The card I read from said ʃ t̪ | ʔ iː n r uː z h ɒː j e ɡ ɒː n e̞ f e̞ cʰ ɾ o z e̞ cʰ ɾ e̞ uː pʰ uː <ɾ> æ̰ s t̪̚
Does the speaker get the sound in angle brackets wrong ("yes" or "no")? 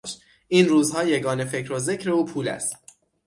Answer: yes